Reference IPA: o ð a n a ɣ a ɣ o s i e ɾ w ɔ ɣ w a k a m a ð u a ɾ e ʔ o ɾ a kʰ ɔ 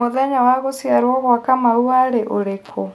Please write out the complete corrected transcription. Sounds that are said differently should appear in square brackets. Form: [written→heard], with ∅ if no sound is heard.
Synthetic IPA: o ð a [n→ɲ] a [ɣ→w] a ɣ o s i [e→a] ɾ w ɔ ɣ w a k a m a [ð→∅] u a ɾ e ʔ o ɾ [a→e] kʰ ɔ